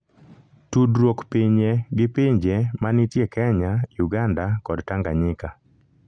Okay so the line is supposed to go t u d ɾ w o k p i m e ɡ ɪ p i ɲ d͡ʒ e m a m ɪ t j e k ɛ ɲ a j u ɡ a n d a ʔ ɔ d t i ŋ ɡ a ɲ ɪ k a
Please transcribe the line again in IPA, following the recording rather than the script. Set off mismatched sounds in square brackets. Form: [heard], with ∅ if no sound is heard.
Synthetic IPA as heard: t u d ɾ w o k p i [ɲ] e ɡ ɪ p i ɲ d͡ʒ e m a [n] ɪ t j e k ɛ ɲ a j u ɡ a n d a [k] ɔ d t [a] ŋ ɡ a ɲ ɪ k a